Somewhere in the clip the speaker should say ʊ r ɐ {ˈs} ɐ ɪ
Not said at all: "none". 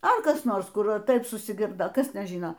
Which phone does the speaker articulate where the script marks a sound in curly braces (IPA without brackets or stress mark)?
t